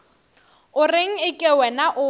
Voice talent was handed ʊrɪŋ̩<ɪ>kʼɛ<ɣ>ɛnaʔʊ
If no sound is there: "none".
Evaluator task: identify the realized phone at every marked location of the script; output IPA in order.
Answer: ɪ, w

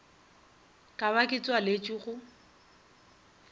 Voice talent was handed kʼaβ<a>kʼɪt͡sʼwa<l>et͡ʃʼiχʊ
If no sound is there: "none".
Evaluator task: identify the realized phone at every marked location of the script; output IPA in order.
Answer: a, l

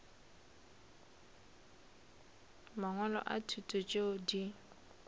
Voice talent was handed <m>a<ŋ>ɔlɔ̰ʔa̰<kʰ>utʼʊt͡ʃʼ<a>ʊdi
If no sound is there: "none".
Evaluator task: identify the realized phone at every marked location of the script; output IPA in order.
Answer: m, ŋ, tʰ, e

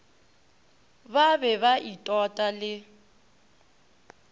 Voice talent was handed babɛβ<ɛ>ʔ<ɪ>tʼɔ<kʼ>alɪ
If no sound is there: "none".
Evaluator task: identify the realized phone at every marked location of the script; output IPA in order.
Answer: a, i, tʼ

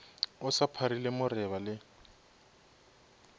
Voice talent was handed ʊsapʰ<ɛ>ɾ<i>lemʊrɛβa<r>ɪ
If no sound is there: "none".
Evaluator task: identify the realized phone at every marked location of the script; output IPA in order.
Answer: a, i, l

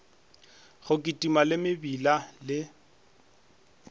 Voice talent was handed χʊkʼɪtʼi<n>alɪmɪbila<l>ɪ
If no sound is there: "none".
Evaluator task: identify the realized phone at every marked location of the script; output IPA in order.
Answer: m, l

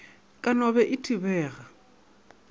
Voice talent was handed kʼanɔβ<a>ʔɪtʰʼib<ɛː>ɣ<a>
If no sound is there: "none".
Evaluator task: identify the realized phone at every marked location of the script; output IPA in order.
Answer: ɛ, ɛː, a

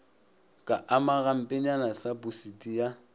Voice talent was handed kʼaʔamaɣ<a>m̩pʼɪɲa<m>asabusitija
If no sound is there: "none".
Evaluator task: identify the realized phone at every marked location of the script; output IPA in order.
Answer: a, n

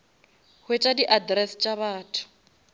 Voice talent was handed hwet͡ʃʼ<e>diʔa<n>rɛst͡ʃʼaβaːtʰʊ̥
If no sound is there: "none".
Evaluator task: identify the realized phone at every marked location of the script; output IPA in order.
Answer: a, d

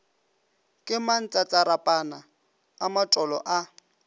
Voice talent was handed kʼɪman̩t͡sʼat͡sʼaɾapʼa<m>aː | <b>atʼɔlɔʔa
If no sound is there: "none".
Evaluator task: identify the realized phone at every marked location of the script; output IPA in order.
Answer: n, m

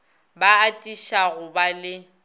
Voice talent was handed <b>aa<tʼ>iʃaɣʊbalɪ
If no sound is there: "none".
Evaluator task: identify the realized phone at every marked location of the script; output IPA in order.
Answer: b, tʼ

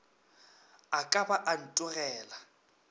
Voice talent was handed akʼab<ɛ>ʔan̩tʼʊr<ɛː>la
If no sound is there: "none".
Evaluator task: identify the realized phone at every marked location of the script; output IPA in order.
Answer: a, ɛː

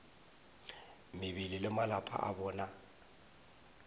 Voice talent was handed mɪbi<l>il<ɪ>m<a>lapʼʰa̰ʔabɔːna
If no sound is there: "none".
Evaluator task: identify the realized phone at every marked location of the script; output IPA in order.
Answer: l, ɪ, a

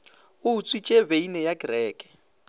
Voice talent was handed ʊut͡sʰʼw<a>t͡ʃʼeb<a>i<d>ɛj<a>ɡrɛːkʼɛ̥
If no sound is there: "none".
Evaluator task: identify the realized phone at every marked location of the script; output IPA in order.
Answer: i, e, n, a

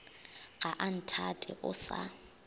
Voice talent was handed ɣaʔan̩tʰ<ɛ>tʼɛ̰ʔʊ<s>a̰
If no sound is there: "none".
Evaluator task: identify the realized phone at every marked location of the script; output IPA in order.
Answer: a, s

